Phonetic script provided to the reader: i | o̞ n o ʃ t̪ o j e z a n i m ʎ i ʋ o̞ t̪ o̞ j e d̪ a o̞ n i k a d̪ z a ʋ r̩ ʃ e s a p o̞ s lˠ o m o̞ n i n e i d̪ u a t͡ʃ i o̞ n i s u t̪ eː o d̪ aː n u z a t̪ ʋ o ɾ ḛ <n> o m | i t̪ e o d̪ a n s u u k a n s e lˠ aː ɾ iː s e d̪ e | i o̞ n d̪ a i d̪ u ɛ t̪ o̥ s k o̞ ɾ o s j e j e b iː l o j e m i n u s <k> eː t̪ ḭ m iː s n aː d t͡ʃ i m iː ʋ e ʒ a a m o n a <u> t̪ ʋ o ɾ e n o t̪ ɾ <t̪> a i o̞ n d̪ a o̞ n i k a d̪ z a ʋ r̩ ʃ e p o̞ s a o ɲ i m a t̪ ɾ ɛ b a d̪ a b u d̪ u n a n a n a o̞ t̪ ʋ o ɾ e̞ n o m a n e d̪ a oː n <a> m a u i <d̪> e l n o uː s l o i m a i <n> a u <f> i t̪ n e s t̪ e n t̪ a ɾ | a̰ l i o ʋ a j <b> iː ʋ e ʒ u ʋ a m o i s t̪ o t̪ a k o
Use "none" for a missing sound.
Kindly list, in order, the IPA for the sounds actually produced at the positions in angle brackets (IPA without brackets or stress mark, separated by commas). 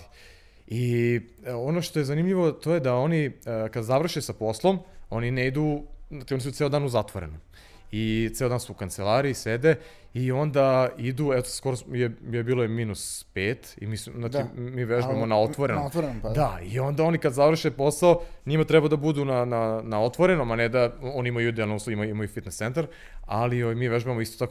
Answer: n, p, o, d̪, i, d̪, m, f, m